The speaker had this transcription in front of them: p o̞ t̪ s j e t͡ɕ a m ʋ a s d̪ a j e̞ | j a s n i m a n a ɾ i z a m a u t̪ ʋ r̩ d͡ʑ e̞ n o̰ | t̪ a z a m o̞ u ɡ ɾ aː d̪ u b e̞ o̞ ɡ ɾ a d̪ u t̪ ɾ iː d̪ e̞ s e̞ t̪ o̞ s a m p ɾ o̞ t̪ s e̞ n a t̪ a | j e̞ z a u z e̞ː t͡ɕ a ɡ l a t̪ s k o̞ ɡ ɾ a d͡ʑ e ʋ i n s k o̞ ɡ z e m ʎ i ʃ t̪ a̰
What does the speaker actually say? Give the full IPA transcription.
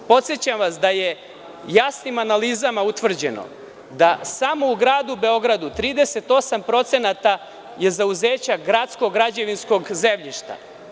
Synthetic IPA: p o̞ t̪ s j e t͡ɕ a m ʋ a s d̪ a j e̞ | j a s n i m a n a l i z a m a u t̪ ʋ r̩ d͡ʑ e̞ n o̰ | d̪ a s a m o̞ u ɡ ɾ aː d̪ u b e̞ o̞ ɡ ɾ a d̪ u t̪ ɾ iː d̪ e̞ s e̞ t̪ o̞ s a m p ɾ o̞ t̪ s e̞ n a t̪ a | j e̞ z a u z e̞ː t͡ɕ a ɡ ɾ a t̪ s k o̞ ɡ ɾ a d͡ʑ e ʋ i n s k o̞ ɡ z e m ʎ i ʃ t̪ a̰